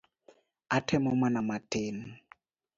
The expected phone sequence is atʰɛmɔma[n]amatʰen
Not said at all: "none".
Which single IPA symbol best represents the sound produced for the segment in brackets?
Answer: n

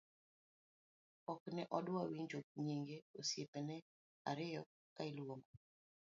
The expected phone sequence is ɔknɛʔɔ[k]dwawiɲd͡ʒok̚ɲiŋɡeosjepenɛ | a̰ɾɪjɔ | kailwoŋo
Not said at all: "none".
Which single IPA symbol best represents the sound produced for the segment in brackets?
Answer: none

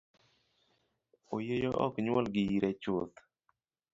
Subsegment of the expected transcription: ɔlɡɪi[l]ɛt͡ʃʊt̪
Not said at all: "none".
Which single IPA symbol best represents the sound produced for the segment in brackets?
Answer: ɾ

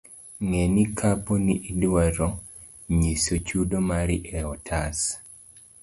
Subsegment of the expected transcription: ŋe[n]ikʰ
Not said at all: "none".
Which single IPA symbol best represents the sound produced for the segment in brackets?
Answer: n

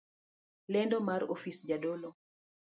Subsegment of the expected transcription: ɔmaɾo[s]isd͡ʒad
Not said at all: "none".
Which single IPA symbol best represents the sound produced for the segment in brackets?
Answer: f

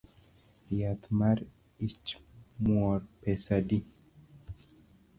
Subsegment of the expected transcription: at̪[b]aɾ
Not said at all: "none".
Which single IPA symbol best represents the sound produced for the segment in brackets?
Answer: m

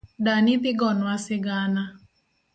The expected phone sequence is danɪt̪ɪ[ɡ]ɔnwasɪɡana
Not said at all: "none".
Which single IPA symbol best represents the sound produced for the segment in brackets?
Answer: ɡ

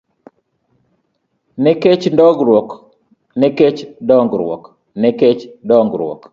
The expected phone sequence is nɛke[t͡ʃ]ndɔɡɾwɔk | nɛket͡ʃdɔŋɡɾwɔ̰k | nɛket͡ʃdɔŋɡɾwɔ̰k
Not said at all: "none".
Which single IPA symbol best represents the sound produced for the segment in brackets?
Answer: t͡ʃ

